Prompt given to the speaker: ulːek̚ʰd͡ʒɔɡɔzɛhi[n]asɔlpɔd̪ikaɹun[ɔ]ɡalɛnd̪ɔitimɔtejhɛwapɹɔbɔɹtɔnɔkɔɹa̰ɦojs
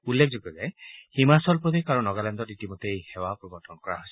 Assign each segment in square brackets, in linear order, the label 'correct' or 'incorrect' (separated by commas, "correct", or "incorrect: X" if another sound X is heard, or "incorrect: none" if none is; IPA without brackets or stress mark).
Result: incorrect: m, correct